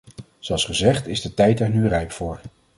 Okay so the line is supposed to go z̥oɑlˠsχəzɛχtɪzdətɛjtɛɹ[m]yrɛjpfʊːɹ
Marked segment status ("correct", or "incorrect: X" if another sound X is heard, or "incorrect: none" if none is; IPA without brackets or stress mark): incorrect: n